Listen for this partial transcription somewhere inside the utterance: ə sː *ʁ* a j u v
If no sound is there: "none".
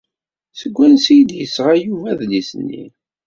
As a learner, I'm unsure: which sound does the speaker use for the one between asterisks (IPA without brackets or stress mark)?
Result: ʁ